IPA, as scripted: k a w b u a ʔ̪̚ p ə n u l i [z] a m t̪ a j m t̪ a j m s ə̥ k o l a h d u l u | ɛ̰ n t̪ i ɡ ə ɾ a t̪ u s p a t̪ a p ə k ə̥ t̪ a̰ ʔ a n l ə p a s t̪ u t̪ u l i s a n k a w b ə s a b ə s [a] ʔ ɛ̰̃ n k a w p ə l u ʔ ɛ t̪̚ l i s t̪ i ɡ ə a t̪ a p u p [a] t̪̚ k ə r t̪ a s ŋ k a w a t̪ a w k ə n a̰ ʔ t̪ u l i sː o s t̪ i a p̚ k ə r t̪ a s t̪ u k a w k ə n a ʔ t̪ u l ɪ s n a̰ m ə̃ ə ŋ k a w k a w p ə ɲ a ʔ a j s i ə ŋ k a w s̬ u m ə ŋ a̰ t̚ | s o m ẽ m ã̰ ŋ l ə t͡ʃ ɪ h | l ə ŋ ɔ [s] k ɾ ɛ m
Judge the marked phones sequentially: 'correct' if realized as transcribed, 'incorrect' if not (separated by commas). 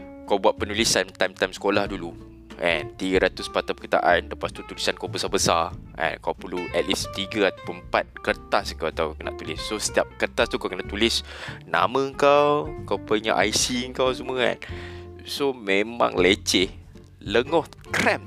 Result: incorrect, correct, correct, incorrect